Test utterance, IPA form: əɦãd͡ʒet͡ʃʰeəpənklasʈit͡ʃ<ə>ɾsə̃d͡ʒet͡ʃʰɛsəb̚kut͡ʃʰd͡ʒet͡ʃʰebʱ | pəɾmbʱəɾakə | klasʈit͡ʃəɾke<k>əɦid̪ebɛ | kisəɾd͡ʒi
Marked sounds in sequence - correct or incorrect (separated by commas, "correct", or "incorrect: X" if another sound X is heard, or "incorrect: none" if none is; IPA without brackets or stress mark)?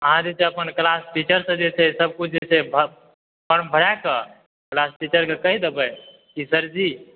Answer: correct, correct